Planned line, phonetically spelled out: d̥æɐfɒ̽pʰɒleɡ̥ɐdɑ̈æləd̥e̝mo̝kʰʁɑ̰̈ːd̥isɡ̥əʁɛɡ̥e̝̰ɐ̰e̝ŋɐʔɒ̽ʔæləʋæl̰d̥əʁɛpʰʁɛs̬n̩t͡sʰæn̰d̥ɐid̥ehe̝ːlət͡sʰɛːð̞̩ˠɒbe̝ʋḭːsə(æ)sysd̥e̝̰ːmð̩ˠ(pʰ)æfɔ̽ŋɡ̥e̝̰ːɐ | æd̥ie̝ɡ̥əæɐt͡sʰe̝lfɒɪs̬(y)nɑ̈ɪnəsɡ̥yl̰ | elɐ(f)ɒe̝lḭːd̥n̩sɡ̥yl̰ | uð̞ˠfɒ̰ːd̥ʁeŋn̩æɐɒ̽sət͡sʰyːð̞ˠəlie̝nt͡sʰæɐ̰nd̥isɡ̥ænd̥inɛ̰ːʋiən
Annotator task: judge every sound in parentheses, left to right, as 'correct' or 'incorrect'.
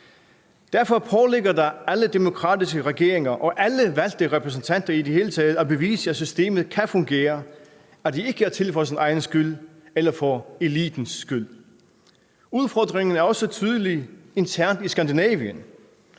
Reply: correct, incorrect: kʰ, incorrect: i, correct

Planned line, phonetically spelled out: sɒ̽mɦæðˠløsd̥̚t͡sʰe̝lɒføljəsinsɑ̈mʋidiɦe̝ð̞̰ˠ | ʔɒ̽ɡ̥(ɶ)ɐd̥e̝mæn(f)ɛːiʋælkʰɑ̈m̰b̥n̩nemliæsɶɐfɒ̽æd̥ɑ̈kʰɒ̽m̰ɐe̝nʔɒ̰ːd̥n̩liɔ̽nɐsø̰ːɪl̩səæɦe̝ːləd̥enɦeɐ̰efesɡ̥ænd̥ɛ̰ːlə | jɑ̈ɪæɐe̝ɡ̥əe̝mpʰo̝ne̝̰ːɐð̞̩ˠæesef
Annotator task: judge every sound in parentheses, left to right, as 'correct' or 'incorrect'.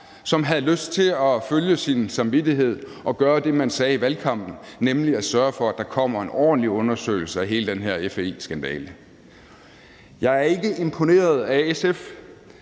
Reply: incorrect: ɶː, incorrect: s

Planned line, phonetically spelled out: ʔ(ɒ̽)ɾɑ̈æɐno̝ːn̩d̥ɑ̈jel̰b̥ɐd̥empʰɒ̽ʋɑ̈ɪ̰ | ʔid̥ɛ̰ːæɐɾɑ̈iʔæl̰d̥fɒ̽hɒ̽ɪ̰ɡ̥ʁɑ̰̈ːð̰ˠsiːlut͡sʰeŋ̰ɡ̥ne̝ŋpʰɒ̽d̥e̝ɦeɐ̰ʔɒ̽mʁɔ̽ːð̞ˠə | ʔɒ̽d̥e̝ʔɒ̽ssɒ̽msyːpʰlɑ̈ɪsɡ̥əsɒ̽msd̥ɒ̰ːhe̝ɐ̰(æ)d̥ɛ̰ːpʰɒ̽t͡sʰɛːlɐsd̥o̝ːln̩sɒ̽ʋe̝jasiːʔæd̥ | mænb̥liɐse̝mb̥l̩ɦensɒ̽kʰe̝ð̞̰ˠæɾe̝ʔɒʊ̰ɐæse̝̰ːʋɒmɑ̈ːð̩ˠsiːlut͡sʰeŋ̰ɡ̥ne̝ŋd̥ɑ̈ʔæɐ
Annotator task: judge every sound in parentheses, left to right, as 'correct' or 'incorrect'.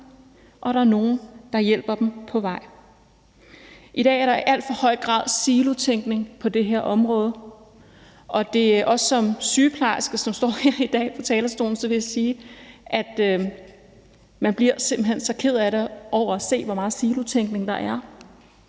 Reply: correct, incorrect: i

